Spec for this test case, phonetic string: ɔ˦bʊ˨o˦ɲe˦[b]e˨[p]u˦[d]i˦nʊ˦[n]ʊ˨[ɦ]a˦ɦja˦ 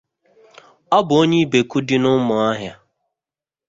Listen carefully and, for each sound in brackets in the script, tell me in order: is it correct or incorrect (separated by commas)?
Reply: correct, incorrect, correct, incorrect, incorrect